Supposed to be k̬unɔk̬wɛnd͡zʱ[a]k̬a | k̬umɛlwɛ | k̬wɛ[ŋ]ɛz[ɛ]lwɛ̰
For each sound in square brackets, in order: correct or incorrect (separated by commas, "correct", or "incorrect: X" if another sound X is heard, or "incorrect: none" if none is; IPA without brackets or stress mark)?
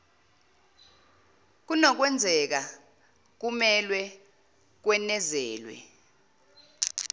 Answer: incorrect: ɛ, incorrect: n, incorrect: ɛː